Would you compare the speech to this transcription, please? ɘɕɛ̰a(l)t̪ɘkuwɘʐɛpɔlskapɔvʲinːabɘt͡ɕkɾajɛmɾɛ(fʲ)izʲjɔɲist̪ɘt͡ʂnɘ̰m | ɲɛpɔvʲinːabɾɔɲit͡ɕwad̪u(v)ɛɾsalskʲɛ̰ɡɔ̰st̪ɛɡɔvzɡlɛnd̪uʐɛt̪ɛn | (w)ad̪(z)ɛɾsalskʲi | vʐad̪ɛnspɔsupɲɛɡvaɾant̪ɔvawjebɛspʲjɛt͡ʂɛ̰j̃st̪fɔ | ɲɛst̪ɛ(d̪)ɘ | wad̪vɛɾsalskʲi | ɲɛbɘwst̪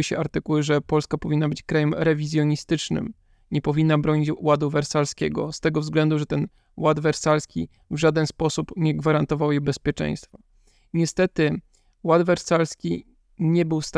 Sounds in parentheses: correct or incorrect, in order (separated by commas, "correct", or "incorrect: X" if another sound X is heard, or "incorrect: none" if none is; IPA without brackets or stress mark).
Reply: incorrect: ɾ, incorrect: vʲ, correct, correct, incorrect: v, incorrect: t̪